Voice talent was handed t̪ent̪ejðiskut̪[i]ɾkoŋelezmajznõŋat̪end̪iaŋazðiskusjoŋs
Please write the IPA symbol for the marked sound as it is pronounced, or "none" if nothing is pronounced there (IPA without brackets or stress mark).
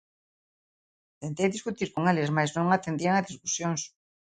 i